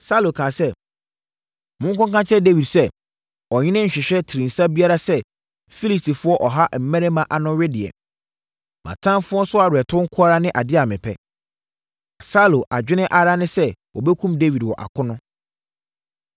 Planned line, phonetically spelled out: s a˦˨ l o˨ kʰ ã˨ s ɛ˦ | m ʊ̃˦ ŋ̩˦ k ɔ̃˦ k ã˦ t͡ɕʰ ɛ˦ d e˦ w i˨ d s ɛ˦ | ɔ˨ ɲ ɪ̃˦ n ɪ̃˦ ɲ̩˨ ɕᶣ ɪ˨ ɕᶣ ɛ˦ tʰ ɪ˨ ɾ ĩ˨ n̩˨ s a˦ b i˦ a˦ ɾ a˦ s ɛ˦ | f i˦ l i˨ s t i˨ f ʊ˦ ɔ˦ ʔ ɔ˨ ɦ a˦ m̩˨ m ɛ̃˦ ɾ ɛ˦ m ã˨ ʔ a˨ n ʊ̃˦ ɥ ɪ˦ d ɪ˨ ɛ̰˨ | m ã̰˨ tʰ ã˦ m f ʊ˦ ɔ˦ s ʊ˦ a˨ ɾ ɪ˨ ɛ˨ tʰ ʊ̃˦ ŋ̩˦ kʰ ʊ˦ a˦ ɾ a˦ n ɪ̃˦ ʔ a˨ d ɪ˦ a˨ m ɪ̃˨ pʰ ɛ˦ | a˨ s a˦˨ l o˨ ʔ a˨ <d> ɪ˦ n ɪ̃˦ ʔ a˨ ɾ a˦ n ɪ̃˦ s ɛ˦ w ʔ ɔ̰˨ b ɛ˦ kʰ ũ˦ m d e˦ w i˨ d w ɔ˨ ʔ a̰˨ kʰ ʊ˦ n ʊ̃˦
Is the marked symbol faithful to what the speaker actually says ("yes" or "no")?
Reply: no